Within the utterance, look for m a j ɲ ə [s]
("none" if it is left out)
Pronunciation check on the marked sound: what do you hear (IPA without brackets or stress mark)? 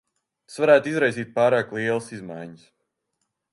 s